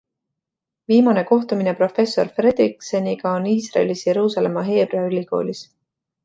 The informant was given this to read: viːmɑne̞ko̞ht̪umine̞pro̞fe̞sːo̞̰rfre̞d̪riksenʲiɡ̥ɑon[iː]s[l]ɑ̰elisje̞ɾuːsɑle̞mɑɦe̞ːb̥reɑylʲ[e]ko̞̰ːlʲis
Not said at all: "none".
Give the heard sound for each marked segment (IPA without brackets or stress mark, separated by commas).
iː, r, i